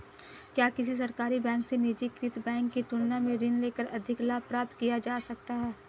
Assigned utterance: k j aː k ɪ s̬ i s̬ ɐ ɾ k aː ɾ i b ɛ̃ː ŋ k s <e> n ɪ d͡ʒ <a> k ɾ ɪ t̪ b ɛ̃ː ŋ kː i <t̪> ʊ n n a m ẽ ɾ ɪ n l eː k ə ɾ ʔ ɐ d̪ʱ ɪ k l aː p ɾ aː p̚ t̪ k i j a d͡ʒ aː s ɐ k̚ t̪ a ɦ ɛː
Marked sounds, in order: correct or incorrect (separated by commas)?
correct, incorrect, correct